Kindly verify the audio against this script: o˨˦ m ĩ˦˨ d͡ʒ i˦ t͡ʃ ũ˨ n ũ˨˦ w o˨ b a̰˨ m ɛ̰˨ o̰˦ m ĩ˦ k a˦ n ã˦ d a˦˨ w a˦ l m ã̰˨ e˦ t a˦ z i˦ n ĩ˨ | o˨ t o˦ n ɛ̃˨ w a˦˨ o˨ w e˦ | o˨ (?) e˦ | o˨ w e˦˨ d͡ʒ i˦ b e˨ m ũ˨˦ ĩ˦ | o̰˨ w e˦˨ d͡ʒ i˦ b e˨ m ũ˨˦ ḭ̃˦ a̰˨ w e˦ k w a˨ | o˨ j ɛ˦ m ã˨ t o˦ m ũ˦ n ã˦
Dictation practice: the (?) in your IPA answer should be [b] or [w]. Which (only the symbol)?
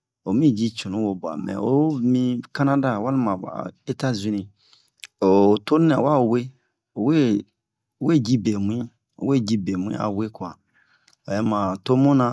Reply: w